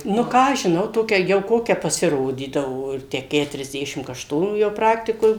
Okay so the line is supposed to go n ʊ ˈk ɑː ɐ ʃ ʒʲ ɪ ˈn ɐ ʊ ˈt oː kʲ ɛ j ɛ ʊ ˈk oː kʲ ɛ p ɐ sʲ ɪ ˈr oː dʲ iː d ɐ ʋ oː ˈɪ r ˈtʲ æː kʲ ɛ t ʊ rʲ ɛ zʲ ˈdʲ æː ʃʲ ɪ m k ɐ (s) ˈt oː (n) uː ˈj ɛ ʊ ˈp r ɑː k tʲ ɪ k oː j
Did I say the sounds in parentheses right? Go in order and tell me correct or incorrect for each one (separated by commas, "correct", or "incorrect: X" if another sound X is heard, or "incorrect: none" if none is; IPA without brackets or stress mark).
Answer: incorrect: ʃ, correct